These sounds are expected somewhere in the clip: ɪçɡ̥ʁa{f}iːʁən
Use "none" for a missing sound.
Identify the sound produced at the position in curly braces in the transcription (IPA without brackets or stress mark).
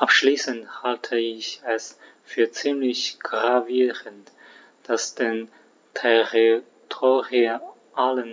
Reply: v